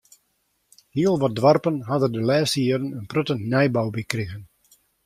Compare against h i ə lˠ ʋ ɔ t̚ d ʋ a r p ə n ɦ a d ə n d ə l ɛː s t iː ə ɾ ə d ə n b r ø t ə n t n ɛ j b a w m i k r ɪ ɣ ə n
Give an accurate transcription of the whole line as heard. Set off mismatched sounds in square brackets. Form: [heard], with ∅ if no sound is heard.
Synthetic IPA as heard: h i ə lˠ ʋ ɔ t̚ d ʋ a r p ə n ɦ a d ə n d ə l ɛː s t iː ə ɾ ə [n] ə n [p] r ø t ə n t n ɛ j b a w [b] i k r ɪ ɣ ə n

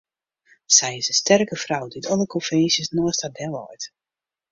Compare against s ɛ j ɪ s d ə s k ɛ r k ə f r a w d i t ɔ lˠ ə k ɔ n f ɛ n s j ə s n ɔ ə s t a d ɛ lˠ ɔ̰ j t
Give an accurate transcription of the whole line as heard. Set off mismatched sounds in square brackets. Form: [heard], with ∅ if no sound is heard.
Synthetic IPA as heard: s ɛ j ɪ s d ə s [t] ɛ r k ə f r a w d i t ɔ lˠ ə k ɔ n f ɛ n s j ə s n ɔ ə s t a d ɛ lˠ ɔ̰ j t

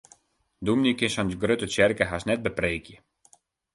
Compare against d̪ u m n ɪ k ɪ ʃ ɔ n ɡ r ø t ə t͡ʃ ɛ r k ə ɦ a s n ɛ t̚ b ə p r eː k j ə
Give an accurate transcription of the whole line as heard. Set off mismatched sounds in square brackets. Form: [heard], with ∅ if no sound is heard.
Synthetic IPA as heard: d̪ u m n [i] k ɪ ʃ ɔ n ɡ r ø t ə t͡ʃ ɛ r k ə ɦ a s n ɛ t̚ b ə p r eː k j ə

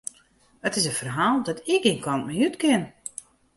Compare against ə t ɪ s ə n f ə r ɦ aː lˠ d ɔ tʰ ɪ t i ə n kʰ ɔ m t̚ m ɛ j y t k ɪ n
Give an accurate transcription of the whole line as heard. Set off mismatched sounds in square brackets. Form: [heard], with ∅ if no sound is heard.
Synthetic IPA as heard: ə t ɪ s ə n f ə r ɦ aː lˠ d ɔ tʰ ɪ [k] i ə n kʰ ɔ [n] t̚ m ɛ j y t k ɪ n

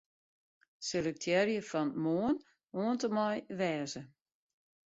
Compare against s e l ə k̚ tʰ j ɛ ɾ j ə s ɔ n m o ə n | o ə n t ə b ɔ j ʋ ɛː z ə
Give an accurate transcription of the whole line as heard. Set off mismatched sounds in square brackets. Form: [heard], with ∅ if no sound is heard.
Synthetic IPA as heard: s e l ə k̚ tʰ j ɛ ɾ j ə [f] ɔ n m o ə n | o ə n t ə [m] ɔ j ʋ ɛː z ə

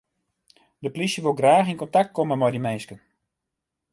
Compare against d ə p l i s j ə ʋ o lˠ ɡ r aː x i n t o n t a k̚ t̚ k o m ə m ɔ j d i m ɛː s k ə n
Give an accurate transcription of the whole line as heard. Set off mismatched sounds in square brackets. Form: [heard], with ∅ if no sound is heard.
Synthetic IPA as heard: d ə p l i s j ə ʋ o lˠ ɡ r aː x i n [k] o n t a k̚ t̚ k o m ə m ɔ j d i m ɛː s k ə n

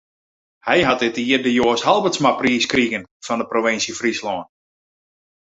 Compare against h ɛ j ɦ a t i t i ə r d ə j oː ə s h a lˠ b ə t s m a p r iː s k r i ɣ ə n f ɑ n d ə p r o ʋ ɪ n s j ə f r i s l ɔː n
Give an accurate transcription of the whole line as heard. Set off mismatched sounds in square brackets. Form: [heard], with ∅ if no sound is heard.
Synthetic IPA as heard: h ɛ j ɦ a t [ɪ] t i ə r d ə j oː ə s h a lˠ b ə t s m a p r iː s k r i ɣ ə n f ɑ n d ə p r o ʋ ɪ n s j ə f r i s l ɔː n

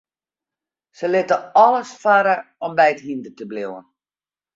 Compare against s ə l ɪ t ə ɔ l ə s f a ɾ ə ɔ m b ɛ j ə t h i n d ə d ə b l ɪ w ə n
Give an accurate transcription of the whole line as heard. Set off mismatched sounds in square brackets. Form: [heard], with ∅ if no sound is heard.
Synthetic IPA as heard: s ə l ɪ t ə ɔ l ə s f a ɾ ə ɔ m b ɛ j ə t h i n d ə [t] ə b l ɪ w ə n

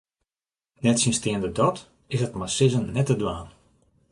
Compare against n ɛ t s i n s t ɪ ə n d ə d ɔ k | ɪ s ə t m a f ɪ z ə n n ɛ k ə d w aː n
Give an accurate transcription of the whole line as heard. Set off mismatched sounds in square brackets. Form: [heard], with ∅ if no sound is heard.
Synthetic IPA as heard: n ɛ t s i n s t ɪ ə n d ə d ɔ [t] | ɪ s ə t m a [s] ɪ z ə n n ɛ [t] ə d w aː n

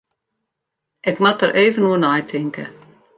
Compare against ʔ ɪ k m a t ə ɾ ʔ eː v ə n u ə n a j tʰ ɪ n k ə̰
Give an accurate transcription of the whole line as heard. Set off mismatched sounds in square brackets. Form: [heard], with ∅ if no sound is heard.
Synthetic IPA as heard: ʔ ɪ k m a t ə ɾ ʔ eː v ə n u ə n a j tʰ ɪ [ŋ] k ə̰

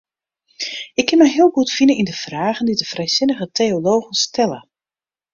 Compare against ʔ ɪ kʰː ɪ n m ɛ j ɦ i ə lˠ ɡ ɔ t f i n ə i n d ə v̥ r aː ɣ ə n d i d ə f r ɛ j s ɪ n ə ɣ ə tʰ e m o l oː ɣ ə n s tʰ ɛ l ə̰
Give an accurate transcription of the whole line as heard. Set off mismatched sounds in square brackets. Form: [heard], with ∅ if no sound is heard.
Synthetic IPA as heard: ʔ ɪ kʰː ɪ n m ɛ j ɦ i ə lˠ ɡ [u] t f i n ə i n d ə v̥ r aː ɣ ə n d i d ə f r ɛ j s ɪ n ə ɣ ə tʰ e [∅] o l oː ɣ ə n s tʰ ɛ l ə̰

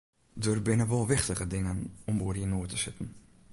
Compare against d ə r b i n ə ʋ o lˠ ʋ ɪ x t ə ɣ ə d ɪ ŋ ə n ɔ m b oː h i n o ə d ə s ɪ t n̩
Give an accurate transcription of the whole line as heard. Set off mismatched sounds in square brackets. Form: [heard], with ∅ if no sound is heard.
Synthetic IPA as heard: d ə r b [ɪ] n ə ʋ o lˠ ʋ ɪ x t ə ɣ ə d ɪ ŋ ə n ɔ m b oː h i n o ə [t] ə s ɪ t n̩

